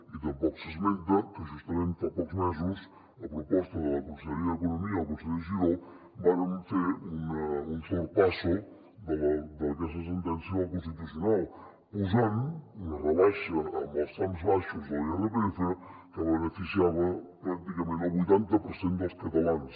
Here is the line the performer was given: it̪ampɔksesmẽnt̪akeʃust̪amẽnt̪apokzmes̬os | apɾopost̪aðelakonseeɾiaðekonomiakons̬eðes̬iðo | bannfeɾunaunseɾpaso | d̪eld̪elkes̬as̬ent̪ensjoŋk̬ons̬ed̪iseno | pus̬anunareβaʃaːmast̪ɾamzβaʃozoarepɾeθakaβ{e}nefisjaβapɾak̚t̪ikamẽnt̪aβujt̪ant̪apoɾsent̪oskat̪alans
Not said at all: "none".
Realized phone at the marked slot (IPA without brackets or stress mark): e